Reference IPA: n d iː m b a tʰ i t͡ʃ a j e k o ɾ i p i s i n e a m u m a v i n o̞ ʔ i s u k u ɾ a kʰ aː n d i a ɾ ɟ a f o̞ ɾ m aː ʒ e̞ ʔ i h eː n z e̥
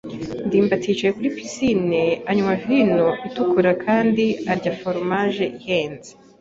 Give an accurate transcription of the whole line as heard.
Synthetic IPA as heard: n d iː m b a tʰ i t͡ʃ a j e k u ɾ i p i s i n e a ɲ u m a v i n o̞ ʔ i t u k u ɾ a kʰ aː n d i a ɾ ɟ a f o̞ ɾ m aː ʒ e̞ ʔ i h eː n z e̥